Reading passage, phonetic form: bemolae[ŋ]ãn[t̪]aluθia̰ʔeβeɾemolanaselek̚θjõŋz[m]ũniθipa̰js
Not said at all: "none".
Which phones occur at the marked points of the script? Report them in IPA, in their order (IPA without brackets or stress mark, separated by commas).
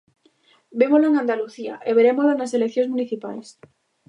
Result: ŋ, d̪, m